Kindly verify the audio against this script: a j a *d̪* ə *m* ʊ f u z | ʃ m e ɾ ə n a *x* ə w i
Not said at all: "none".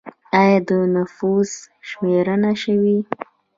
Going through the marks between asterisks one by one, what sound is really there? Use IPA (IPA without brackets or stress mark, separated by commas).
d̪, n, ʃ